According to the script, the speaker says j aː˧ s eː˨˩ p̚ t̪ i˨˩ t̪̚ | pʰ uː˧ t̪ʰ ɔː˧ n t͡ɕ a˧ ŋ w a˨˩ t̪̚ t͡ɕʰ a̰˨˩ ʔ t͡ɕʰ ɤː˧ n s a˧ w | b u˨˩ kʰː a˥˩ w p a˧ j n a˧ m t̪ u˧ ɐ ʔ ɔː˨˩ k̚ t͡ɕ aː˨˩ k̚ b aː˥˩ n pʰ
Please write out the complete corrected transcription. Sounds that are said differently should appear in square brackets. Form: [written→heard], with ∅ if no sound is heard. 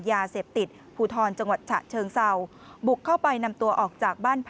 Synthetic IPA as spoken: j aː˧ s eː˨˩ p̚ t̪ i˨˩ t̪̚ | pʰ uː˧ t̪ʰ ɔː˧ n t͡ɕ a˧ ŋ w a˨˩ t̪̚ t͡ɕʰ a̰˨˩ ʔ t͡ɕʰ ɤː˧ [n→ŋ] s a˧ w | b u˨˩ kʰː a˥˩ w p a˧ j n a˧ m t̪ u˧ ɐ ʔ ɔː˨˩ k̚ t͡ɕ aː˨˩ k̚ b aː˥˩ n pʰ